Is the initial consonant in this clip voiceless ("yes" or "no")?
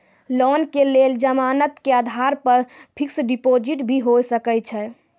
no